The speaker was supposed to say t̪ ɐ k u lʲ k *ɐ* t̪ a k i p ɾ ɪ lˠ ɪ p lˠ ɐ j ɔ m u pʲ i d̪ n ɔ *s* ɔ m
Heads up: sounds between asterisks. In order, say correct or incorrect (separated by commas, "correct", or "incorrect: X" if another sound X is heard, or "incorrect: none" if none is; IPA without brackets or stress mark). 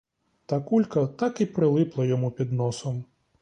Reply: correct, correct